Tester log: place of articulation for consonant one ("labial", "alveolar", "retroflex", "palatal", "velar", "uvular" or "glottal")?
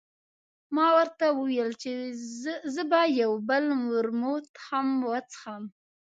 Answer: labial